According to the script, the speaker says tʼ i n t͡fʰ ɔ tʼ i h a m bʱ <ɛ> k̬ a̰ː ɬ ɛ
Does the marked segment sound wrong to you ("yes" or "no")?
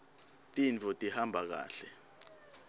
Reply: yes